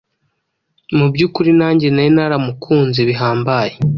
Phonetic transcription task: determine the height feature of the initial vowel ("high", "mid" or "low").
high